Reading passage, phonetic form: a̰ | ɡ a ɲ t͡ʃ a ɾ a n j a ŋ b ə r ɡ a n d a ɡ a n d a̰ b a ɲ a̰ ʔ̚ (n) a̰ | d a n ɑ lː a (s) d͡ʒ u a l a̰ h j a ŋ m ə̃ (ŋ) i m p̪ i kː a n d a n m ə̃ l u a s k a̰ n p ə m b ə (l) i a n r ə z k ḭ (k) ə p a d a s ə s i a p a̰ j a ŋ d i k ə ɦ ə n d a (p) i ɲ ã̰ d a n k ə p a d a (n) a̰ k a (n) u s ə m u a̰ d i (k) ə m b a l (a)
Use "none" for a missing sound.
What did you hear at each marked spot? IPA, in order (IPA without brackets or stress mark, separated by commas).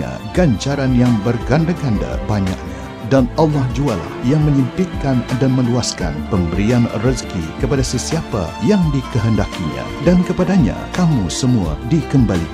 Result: ɲ, h, ɲ, ɾ, k, k, ɲ, m, k, i